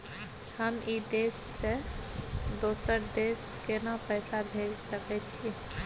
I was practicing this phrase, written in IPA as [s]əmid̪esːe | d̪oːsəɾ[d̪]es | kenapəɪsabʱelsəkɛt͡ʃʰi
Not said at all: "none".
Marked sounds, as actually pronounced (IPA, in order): h, d̪

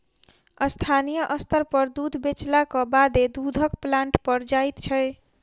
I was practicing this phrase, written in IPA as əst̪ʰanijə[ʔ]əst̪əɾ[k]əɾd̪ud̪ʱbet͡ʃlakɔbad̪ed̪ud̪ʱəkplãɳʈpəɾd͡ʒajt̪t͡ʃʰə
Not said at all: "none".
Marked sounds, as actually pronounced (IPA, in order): ʔ, p

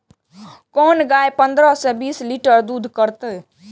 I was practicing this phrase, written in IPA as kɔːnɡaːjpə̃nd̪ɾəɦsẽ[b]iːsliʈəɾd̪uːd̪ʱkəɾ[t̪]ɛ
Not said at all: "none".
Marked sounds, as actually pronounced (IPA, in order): b, t̪

